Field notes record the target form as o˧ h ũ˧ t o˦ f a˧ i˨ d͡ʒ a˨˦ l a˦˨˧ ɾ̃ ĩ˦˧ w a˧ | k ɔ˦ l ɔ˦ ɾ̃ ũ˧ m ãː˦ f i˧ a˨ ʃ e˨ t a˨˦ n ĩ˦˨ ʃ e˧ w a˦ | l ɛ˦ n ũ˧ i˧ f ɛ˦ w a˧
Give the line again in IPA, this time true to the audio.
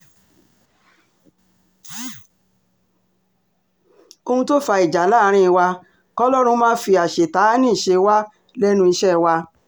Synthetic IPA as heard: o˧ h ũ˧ t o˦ f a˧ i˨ d͡ʒ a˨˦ l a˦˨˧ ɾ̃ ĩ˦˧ w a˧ | k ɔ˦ l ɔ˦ ɾ̃ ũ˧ m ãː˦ f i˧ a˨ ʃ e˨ t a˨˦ n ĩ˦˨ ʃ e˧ w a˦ | l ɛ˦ n ũ˧ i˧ ʃ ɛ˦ w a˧

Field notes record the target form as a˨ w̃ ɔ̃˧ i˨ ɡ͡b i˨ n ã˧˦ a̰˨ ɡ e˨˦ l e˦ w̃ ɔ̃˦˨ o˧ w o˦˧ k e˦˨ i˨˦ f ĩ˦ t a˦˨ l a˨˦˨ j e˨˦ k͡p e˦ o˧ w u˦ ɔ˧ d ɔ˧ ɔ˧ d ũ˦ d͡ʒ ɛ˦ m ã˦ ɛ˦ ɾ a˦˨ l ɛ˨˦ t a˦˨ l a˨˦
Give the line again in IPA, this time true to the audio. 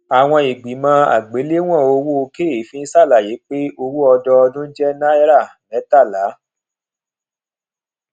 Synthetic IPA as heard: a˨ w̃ ɔ̃˧ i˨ ɡ͡b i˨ m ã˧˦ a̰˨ ɡ͡b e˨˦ l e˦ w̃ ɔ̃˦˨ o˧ w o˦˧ k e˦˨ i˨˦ f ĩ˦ s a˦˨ l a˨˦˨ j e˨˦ k͡p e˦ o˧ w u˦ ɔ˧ d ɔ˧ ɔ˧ d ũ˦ d͡ʒ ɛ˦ n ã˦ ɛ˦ ɾ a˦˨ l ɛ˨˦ t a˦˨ l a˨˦

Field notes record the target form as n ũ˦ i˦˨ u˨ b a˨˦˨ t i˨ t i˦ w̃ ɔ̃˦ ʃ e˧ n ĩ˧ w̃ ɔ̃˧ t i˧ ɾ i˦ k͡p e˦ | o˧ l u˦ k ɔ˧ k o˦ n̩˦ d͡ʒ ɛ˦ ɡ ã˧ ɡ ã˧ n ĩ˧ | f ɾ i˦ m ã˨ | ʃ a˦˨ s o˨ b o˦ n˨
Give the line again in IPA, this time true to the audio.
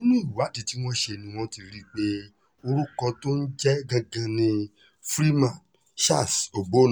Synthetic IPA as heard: n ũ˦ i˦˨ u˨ w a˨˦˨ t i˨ t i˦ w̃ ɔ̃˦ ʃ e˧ n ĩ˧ w̃ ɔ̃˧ t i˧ ɾ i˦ k͡p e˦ | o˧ ɾ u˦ k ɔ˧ t o˦ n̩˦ d͡ʒ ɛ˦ ɡ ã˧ ɡ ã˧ n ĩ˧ | f ɾ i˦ m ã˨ | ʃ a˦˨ s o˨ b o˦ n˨

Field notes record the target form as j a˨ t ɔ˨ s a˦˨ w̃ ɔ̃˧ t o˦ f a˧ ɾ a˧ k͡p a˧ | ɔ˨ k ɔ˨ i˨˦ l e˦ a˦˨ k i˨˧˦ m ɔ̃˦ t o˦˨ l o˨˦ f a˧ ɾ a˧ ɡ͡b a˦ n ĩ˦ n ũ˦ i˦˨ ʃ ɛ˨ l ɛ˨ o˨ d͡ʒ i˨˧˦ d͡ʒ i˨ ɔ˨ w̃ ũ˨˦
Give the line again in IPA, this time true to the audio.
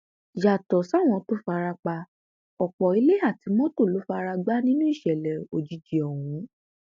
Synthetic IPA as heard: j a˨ t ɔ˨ s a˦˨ w̃ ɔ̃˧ t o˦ f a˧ ɾ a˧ k͡p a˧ | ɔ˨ k͡p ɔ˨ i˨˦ l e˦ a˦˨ t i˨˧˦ m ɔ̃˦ t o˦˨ l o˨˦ f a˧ ɾ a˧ ɡ͡b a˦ n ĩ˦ n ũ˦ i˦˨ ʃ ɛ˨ l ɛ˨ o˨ d͡ʒ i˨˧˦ d͡ʒ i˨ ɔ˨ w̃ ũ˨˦

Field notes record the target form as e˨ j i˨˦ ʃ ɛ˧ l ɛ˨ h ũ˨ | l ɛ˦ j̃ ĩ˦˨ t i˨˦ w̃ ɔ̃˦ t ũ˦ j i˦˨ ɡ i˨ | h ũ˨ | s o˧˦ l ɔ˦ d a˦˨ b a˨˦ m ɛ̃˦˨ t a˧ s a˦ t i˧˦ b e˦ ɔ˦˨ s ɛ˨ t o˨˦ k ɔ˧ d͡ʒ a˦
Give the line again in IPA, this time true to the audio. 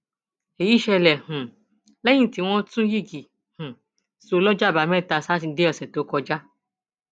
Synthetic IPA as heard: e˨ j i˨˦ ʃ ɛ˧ l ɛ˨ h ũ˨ | l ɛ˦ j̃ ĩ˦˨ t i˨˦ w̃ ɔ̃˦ t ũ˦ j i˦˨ ɡ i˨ | h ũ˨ | s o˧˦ l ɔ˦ d͡ʒ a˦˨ b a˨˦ m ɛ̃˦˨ t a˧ s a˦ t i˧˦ d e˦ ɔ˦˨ s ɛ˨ t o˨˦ k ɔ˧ d͡ʒ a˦

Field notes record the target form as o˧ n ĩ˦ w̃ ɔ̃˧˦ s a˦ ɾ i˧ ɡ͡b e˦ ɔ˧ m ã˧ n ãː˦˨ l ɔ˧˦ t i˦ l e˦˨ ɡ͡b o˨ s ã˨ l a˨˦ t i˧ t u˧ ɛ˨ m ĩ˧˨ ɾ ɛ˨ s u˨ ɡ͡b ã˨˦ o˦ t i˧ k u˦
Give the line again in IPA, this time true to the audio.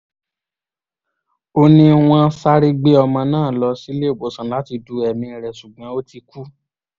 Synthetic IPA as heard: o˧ n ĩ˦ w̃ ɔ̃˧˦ s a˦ ɾ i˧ ɡ͡b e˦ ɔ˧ m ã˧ n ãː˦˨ l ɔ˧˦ s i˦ l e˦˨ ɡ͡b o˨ s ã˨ l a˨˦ t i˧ d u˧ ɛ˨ m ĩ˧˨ ɾ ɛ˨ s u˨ ɡ͡b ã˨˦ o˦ t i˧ k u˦

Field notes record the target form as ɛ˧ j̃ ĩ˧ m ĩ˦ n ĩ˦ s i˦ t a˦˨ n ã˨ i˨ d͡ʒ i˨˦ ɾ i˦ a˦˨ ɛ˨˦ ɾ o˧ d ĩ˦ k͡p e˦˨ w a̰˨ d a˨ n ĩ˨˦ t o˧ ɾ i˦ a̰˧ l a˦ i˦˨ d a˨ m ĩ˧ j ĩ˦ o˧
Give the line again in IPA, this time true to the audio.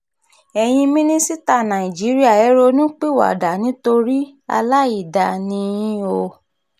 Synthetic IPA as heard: ɛ˧ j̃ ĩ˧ m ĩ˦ n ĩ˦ s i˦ t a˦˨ n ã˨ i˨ d͡ʒ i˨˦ ɾ i˦ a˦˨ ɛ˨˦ ɾ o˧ n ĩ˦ k͡p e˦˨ w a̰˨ d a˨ n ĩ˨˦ t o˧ ɾ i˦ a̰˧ l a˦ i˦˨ d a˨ n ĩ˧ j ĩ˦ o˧

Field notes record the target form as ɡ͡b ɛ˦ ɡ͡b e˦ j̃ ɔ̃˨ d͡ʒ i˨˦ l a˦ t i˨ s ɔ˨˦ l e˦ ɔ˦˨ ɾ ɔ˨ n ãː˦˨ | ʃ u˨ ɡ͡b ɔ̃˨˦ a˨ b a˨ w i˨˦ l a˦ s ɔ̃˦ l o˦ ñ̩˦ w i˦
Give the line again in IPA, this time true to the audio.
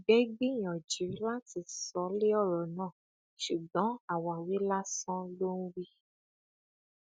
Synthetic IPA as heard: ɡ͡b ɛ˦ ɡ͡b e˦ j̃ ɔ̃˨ d͡ʒ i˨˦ l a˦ t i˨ s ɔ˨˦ l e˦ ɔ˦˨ ɾ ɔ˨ n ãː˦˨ | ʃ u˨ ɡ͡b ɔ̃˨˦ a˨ w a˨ w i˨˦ l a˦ s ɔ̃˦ l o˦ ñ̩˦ w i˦

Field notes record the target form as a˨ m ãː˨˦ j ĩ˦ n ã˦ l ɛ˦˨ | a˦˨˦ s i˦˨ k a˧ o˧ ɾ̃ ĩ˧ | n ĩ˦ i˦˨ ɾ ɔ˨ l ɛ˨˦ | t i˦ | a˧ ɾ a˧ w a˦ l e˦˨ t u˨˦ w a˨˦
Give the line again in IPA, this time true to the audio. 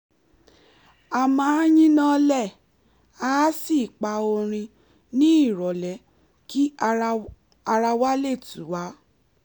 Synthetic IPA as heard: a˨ m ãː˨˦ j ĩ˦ n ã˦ l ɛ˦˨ | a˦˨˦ s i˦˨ k͡p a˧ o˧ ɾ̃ ĩ˧ | n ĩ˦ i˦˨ ɾ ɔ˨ l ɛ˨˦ | k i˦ | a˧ ɾ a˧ w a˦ l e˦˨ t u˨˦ w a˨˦

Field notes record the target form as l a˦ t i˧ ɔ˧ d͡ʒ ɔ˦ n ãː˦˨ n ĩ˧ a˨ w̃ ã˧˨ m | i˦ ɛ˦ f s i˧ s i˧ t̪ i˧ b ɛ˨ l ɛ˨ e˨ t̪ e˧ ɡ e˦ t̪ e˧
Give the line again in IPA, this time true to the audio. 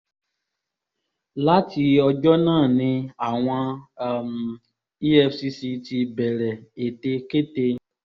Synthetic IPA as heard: l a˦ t i˧ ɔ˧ d͡ʒ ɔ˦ n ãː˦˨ n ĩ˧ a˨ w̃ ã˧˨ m | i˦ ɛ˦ f s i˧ s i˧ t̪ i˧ b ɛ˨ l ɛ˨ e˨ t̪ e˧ k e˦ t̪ e˧

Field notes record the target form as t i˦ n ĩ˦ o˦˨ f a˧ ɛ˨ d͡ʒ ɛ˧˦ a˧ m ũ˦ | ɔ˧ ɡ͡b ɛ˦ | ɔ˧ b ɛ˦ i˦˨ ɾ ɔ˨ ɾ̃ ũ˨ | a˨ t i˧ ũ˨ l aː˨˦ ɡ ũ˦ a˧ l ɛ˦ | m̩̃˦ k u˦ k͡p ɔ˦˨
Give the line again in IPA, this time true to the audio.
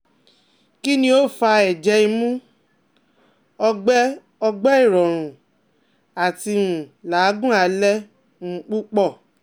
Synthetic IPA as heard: k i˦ n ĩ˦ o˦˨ f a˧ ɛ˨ d͡ʒ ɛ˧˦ i˧ m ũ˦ | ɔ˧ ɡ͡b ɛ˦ | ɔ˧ ɡ͡b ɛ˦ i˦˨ ɾ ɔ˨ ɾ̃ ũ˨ | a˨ t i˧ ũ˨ l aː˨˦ ɡ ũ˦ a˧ l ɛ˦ | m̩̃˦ k͡p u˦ k͡p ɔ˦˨

